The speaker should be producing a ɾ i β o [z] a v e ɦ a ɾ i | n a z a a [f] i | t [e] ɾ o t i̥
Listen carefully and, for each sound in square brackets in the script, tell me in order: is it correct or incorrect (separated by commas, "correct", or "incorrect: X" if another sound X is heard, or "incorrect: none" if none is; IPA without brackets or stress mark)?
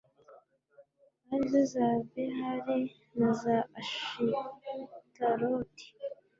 correct, incorrect: ʃ, incorrect: a